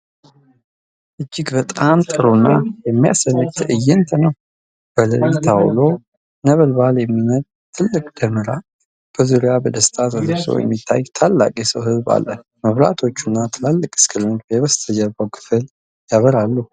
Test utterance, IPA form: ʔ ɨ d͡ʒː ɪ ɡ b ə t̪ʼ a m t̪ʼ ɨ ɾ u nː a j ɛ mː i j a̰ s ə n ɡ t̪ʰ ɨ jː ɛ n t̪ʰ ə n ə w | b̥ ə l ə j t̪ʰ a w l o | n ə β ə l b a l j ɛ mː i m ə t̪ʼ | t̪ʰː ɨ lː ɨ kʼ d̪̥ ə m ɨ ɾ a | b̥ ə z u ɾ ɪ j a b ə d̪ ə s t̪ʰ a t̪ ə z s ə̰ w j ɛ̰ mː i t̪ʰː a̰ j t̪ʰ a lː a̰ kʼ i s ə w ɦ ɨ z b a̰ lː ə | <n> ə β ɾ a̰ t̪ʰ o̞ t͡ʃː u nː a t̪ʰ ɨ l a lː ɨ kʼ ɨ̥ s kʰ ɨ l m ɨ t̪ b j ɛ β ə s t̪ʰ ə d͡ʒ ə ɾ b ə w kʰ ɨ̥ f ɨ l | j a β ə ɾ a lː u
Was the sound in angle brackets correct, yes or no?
no